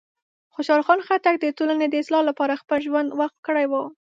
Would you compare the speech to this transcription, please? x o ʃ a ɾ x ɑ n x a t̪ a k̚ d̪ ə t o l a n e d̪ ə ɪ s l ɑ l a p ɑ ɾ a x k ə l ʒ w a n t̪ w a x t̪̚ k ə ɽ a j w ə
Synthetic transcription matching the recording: x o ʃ ɑ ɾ x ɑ n x a t̪ a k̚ d̪ ə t o l a n e d̪ ə ɪ s l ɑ l a p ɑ ɾ a x p ə l ʒ w a n d̪ w a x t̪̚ k ə ɽ a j w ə